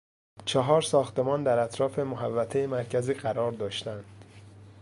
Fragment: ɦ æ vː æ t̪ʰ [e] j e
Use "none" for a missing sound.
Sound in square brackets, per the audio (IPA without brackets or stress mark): e